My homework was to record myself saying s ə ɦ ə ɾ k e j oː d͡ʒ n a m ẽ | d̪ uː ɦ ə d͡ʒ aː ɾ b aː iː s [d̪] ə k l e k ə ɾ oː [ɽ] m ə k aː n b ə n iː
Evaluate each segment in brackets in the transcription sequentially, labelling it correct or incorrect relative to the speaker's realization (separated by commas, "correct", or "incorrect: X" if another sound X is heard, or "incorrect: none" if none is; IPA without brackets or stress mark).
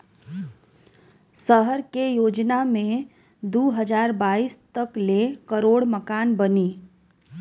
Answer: incorrect: t̪, correct